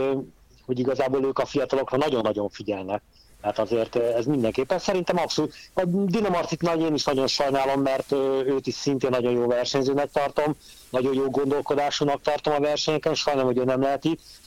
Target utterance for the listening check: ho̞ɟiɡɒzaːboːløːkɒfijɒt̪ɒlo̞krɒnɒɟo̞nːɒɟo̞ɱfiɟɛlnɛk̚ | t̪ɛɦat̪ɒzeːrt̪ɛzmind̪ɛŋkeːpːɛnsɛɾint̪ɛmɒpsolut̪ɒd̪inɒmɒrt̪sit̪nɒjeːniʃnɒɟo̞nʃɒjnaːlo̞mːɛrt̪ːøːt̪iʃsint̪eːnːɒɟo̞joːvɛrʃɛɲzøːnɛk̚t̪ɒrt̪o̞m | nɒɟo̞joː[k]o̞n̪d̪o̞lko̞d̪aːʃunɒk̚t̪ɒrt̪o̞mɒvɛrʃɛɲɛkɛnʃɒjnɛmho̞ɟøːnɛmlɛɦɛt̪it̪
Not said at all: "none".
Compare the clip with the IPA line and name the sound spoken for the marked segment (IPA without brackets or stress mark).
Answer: ɡ